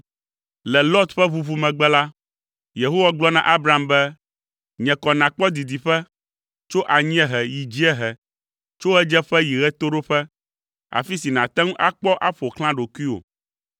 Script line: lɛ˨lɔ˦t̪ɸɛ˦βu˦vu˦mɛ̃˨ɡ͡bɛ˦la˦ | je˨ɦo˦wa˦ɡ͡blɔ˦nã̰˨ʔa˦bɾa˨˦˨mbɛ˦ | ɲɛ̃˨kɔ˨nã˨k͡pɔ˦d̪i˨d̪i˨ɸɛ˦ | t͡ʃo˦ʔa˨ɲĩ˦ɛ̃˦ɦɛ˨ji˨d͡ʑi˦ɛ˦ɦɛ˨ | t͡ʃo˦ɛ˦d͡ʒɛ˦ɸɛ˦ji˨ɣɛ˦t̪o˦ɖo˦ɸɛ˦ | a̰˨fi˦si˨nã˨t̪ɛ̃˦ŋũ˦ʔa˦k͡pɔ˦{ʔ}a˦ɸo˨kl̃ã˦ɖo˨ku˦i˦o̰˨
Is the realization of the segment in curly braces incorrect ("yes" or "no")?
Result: no